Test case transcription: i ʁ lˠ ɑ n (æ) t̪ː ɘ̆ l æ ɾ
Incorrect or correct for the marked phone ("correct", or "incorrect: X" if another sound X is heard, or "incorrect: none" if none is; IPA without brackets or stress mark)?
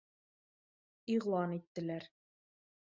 incorrect: i